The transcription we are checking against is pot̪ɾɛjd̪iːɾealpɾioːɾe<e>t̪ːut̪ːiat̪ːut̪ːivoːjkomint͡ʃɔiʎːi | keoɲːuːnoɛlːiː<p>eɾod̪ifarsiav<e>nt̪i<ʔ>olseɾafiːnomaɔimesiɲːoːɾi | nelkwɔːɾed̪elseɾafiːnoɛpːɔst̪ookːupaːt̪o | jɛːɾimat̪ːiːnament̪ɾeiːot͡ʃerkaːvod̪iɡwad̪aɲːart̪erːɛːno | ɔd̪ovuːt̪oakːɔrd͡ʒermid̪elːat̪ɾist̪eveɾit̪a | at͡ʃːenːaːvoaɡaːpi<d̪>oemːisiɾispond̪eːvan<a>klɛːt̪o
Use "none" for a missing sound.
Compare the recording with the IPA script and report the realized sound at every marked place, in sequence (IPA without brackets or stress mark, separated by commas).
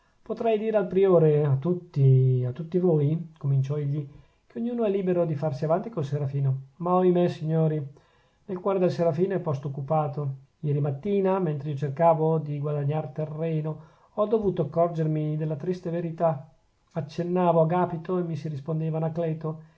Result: a, b, a, k, t̪, a